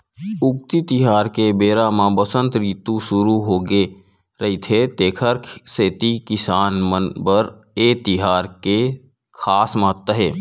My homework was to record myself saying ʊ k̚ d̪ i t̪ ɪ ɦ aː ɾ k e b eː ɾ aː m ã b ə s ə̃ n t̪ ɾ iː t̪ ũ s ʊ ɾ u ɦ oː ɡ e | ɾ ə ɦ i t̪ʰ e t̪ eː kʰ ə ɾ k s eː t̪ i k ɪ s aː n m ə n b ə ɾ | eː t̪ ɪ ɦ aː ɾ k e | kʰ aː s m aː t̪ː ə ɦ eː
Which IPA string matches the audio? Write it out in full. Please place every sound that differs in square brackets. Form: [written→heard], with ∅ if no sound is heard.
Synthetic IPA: ʊ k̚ [d̪→t̪] i t̪ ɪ ɦ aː ɾ k e b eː ɾ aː m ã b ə s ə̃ n t̪ ɾ iː t̪ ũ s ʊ ɾ u ɦ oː ɡ e | ɾ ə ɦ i t̪ʰ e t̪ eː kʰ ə ɾ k s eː t̪ i k ɪ s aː n m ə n b ə ɾ | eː t̪ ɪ ɦ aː ɾ k e | kʰ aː s m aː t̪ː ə ɦ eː